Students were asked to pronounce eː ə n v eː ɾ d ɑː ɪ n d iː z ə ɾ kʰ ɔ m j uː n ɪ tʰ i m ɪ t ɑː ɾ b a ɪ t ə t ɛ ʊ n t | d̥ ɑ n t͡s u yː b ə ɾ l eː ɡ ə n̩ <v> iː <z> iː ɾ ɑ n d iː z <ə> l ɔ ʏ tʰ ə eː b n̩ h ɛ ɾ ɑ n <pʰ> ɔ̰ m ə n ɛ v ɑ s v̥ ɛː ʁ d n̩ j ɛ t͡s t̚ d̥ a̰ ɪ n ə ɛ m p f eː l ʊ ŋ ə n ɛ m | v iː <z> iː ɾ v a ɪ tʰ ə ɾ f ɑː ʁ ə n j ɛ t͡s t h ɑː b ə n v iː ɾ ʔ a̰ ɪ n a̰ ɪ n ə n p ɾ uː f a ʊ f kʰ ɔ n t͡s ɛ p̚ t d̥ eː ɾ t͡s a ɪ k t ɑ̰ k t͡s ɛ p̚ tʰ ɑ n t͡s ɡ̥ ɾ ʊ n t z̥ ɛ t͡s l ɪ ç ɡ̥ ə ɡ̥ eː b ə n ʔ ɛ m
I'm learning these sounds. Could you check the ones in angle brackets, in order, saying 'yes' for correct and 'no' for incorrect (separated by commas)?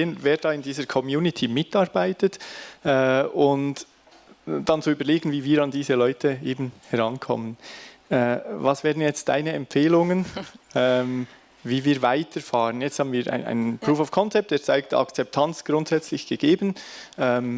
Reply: yes, no, yes, no, no